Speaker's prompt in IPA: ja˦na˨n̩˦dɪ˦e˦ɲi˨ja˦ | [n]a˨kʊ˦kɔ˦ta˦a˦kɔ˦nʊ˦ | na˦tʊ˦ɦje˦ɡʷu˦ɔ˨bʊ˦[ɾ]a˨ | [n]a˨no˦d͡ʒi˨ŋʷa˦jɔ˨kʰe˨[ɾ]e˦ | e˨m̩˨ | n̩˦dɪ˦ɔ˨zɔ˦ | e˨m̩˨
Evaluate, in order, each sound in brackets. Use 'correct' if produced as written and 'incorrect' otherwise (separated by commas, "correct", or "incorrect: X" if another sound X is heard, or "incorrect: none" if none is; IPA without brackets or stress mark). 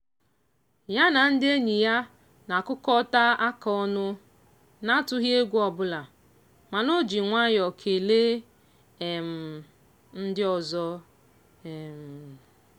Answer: correct, incorrect: l, incorrect: m, incorrect: l